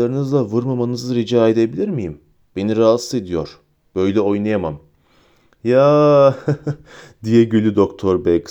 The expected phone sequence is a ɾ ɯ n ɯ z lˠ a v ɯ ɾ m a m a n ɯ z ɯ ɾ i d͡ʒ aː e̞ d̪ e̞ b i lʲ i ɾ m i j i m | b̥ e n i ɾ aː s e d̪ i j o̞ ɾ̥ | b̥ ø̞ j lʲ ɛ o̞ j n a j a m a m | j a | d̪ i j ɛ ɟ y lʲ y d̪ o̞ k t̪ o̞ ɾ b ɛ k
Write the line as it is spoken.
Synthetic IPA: a ɾ ɯ n ɯ z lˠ a v ɯ ɾ m a m a n ɯ z ɯ ɾ i d͡ʒ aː e̞ d̪ e̞ b i lʲ i ɾ m i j i m | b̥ e n i ɾ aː s e d̪ i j o̞ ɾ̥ | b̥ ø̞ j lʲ ɛ o̞ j n a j a m a m | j a | d̪ i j ɛ ɟ y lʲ y d̪ o̞ k t̪ʰ o̞ ɾ b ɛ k